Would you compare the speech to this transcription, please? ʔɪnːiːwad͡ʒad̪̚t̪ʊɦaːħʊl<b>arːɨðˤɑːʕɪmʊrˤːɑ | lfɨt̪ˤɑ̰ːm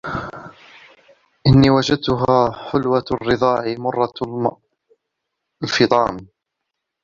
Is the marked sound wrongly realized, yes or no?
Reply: yes